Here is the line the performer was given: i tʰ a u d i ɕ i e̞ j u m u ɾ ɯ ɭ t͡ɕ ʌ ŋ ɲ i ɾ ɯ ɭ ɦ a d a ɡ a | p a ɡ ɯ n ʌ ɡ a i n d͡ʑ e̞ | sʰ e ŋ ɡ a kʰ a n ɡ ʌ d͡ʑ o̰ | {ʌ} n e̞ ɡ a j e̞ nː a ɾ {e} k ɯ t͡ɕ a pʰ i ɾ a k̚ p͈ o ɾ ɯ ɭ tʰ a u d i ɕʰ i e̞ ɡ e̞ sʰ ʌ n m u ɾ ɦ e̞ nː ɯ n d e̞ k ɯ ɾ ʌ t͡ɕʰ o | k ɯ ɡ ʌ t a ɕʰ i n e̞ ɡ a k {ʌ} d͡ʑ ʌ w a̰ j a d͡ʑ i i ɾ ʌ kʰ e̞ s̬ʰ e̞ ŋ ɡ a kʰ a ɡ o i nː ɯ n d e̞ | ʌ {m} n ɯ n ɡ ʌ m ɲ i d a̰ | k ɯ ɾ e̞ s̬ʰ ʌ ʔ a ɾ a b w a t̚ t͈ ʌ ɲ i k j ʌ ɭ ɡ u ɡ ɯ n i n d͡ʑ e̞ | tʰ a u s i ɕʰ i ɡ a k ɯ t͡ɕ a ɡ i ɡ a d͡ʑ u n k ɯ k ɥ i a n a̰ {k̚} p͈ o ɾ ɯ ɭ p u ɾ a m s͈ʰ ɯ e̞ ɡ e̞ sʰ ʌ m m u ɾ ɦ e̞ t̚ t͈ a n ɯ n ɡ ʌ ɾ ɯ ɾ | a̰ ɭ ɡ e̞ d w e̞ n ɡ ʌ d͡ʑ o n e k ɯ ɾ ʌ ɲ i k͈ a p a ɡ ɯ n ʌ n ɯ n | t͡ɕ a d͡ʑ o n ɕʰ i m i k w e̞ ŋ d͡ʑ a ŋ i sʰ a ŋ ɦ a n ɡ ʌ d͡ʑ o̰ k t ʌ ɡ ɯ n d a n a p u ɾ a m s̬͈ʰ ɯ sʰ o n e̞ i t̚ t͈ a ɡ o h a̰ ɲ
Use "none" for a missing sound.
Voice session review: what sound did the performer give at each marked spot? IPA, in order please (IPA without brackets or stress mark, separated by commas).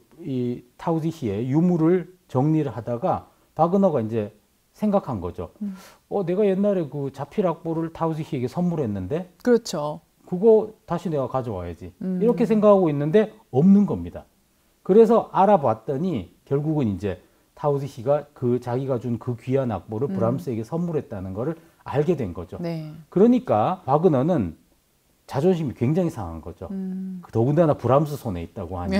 ʌ, e, a, m, k̚